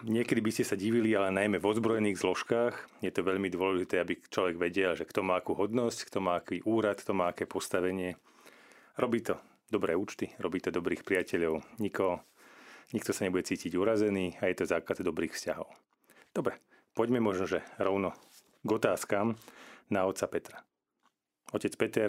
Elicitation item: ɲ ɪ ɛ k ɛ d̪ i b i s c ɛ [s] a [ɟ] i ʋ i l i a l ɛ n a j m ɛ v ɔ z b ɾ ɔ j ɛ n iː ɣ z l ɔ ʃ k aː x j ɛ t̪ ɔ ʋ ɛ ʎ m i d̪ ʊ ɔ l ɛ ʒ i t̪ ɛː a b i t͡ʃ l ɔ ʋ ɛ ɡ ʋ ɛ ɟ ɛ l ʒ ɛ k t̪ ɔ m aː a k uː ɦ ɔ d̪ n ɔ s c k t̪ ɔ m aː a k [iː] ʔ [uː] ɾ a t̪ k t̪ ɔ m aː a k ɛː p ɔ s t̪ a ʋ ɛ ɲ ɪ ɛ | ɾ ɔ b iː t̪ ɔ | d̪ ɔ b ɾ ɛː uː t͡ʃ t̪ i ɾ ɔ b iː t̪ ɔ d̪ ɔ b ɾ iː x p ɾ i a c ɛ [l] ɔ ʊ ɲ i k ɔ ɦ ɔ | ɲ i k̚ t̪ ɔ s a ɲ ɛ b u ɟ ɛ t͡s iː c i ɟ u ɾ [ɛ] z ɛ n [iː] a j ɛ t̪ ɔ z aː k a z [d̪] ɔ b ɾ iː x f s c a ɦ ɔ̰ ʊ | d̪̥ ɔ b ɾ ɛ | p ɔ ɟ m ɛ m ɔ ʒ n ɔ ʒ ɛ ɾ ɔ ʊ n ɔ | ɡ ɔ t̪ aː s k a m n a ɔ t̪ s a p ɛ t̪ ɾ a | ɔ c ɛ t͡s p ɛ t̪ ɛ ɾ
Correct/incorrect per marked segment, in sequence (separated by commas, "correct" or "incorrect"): correct, correct, correct, correct, incorrect, incorrect, correct, correct